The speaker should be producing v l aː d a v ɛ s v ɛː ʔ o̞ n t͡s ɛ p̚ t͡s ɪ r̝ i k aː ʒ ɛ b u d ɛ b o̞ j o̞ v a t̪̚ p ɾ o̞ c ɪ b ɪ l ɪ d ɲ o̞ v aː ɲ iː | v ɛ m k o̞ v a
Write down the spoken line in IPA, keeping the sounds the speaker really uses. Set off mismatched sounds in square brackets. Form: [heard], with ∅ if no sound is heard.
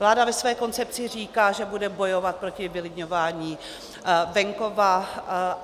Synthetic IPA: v l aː d a v ɛ s v ɛː [k] o̞ n t͡s ɛ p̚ t͡s ɪ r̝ [iː] k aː ʒ ɛ b u d ɛ b o̞ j o̞ v a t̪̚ p ɾ o̞ c ɪ [v] ɪ l ɪ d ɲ o̞ v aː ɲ iː | v ɛ [ŋ] k o̞ v a